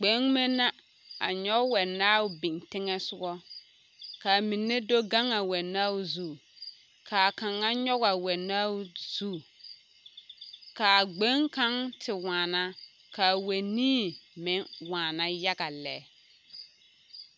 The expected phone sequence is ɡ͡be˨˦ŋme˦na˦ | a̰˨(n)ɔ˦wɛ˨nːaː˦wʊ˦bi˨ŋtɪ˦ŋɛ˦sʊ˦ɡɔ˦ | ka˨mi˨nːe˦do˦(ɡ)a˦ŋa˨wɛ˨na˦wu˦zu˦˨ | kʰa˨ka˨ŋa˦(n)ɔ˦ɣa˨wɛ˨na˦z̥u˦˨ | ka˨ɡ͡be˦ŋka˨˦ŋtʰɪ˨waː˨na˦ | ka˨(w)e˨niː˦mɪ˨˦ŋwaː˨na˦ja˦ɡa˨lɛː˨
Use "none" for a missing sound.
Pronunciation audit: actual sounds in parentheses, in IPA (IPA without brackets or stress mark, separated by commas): ɲ, ɡ, ɲ, w